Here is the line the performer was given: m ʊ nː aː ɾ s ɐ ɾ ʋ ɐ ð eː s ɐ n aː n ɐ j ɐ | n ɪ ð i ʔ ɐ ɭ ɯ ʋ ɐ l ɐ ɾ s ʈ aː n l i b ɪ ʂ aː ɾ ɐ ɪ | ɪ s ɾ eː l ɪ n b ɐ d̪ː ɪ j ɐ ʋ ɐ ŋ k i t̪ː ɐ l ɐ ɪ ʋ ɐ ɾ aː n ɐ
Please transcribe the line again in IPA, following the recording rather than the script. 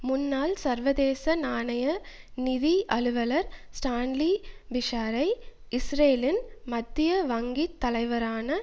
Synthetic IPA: m ʊ nː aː l s ɐ ɾ ʋ ɐ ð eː s ɐ n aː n ɐ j ɐ | n ɪ ð i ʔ ɐ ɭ ɯ ʋ ɐ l ɐ ɾ s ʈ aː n l i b ɪ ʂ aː ɾ ɐ ɪ | ɪ s ɾ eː l ɪ n m ɐ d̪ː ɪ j ɐ ʋ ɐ ŋ ɡ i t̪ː ɐ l ɐ ɪ ʋ ɐ ɾ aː n ɐ